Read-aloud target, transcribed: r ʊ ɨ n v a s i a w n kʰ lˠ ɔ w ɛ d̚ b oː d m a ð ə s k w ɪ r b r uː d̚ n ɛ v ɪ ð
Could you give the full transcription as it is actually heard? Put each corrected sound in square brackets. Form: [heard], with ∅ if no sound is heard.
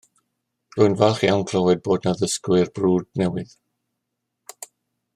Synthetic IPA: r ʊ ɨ n v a [χ] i a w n kʰ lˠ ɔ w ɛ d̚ b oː d [n] a ð ə s k w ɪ r b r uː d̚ n ɛ [w] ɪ ð